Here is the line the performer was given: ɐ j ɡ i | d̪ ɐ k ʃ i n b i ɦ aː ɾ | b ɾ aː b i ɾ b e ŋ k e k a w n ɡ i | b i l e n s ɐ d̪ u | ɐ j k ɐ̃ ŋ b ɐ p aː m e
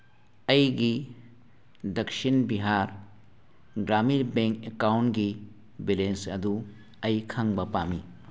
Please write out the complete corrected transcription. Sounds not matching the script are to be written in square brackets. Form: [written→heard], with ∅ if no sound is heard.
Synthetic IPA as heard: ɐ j ɡ i | d̪ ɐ k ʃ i n b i ɦ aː ɾ | [b→ɡ] ɾ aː [b→m] i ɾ b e ŋ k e k a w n ɡ i | b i l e n s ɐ d̪ u | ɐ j [k→kʰ] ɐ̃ ŋ b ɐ p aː m [e→i]